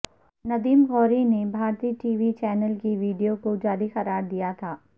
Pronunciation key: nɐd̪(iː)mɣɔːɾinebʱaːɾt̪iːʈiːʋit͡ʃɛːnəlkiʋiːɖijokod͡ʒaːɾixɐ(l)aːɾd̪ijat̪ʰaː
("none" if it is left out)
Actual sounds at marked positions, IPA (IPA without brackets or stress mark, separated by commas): iː, ɾ